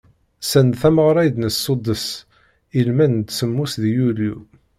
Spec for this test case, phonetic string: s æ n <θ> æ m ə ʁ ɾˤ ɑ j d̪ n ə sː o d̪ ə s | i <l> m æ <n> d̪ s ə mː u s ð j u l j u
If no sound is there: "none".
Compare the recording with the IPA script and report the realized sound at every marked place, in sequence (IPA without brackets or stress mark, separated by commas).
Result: θ, l, n